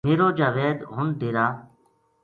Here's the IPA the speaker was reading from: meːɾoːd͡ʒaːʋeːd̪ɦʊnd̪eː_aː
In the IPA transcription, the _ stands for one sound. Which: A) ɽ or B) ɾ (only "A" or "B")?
B